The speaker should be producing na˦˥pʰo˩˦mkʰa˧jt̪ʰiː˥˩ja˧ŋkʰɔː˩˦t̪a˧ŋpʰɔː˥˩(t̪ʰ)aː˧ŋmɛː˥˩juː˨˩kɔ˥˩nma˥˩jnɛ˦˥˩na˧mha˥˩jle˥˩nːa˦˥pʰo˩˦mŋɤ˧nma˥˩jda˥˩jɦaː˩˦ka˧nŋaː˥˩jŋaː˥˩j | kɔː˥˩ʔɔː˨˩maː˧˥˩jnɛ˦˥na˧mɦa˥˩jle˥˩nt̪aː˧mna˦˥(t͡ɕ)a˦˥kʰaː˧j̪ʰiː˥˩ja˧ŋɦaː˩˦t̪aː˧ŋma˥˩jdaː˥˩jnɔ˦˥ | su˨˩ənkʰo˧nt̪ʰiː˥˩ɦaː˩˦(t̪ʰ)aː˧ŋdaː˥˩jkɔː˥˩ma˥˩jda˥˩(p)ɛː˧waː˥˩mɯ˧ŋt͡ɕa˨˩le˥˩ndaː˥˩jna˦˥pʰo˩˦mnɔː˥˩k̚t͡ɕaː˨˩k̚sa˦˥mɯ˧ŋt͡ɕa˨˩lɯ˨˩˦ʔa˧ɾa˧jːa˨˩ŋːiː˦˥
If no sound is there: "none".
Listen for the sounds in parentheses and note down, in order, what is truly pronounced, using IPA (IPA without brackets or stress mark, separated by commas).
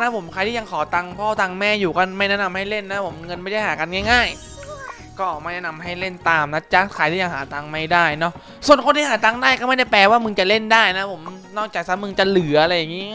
t̪, t͡ɕ, t̪, p